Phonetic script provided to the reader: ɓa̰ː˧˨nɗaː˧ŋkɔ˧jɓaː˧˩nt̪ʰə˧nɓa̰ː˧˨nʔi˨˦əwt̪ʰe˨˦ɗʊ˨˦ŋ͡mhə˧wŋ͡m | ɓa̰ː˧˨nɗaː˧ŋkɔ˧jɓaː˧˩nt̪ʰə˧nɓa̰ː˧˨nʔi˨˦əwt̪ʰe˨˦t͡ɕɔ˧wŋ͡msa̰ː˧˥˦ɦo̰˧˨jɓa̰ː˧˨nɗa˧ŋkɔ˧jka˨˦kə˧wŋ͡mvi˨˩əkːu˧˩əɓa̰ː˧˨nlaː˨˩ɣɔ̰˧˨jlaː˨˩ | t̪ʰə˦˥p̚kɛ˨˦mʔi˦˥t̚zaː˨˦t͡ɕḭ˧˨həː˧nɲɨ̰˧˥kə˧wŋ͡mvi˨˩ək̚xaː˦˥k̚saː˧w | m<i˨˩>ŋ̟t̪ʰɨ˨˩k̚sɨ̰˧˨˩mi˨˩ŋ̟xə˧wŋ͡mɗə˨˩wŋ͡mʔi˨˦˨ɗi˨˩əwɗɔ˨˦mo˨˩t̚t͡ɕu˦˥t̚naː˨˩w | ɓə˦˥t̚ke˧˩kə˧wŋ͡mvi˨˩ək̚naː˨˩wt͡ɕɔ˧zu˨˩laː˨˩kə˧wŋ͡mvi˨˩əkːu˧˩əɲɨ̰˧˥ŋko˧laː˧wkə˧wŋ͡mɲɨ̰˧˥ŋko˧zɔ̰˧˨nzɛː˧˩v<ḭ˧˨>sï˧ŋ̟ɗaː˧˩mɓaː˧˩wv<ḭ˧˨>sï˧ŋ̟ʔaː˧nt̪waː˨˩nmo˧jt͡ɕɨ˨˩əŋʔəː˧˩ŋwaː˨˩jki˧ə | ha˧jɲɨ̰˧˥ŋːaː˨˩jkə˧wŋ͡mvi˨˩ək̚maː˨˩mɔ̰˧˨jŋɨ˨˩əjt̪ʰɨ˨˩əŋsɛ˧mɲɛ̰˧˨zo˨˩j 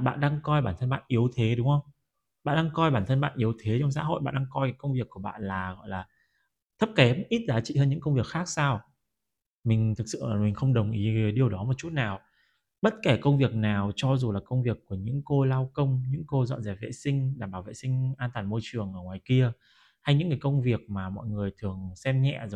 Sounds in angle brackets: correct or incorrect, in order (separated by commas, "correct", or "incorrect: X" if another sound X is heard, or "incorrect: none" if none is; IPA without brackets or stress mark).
correct, incorrect: ḛ˧˨, incorrect: ḛ˧˨